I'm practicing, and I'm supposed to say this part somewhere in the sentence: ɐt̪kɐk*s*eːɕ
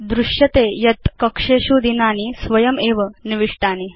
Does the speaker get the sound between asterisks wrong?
yes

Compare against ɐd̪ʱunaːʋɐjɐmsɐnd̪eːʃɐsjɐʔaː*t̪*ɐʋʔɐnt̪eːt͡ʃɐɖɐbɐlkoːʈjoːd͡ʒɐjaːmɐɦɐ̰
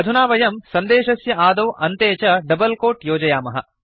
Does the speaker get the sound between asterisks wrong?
yes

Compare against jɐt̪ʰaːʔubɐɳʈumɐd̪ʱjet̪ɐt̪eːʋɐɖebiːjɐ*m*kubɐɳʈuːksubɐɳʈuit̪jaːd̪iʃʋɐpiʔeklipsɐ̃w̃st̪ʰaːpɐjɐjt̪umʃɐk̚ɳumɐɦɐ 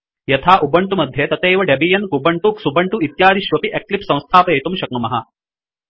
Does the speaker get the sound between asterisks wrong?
yes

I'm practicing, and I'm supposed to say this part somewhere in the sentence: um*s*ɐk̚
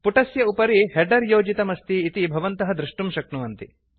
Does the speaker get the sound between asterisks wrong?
yes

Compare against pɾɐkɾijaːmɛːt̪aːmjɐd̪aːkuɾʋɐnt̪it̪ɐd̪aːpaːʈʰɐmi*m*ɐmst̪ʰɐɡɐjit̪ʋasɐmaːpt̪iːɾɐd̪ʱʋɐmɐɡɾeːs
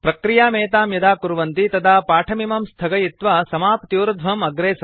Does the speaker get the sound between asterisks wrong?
no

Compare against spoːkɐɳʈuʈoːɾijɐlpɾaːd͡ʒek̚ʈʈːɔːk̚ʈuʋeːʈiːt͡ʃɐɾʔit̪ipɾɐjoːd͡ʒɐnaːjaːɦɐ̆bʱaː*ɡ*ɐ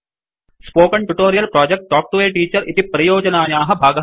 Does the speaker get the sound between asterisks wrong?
no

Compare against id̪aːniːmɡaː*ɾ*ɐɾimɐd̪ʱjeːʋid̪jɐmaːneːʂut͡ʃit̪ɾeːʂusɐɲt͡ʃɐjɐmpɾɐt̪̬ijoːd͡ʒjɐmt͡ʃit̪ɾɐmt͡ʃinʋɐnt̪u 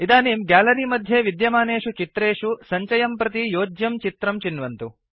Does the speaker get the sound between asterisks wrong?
yes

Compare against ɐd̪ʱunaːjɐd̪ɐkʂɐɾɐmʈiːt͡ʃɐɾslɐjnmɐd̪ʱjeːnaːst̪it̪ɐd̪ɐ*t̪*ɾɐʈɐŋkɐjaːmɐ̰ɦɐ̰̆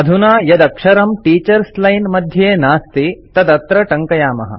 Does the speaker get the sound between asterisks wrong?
no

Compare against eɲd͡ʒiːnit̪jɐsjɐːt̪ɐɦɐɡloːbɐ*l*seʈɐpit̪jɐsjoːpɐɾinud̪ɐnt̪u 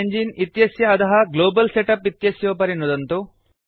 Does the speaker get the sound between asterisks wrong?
no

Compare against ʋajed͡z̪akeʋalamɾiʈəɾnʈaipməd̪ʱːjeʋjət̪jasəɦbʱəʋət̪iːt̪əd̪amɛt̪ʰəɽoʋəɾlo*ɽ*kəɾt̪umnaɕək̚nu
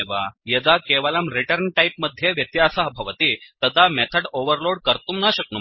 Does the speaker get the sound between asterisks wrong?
no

